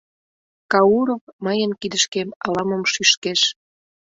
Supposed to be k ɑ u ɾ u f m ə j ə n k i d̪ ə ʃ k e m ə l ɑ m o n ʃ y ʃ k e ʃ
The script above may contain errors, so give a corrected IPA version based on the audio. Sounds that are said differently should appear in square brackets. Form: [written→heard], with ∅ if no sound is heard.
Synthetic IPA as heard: k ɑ u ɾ [u→o] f m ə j ə n k i d̪ ə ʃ k e m [ə→ɑ] l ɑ m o [n→m] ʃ y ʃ k e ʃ